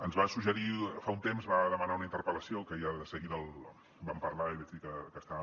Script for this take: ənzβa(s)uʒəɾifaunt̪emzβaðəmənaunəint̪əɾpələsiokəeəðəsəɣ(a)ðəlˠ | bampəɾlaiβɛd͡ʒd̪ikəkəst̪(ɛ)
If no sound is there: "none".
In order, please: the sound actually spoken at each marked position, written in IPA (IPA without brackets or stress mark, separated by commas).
s, i, a